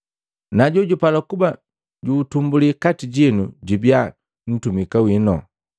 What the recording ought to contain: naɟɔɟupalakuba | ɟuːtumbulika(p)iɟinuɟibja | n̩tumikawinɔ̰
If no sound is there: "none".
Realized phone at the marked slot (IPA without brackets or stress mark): t